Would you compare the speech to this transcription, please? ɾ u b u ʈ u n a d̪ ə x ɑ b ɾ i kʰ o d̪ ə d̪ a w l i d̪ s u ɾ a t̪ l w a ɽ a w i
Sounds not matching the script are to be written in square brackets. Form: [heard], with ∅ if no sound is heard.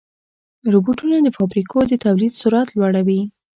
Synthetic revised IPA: ɾ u b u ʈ u n a d̪ ə [f] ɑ b ɾ i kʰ o d̪ ə [t̪] a w l i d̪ s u ɾ a t̪ l w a ɽ a w i